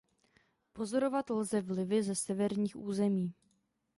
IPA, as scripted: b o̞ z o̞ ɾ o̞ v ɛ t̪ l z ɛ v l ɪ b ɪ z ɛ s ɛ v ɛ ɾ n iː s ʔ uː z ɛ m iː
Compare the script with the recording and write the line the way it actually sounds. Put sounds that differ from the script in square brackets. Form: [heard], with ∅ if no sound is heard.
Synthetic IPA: [p] o̞ z o̞ ɾ o̞ v [a] t̪ l z ɛ v l ɪ [v] ɪ z ɛ s ɛ v ɛ ɾ [ɲ] iː [x] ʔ uː z ɛ m iː